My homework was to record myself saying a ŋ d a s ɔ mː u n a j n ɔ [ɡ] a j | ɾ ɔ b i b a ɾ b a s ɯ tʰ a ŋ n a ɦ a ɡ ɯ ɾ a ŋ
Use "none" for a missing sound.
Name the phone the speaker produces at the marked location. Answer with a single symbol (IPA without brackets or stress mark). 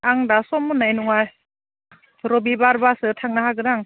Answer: ŋ